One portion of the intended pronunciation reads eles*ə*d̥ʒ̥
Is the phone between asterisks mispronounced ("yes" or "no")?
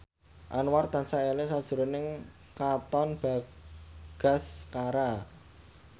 yes